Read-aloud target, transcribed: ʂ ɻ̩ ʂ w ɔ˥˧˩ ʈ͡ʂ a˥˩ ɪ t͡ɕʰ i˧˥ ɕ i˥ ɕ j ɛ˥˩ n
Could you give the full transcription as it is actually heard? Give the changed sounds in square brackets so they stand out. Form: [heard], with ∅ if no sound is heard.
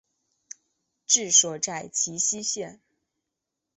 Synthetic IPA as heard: [ʈ͡ʂ] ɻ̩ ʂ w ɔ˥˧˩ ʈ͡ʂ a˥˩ ɪ t͡ɕʰ i˧˥ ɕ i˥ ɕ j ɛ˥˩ n

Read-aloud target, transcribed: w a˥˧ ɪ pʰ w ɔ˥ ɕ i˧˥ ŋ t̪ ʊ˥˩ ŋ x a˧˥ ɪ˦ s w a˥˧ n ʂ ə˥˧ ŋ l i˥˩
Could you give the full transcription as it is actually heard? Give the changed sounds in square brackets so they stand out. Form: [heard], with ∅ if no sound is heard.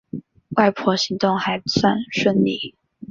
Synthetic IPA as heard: w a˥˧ ɪ pʰ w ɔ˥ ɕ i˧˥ ŋ t̪ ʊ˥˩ ŋ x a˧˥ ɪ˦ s w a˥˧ n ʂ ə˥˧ [n] l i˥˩

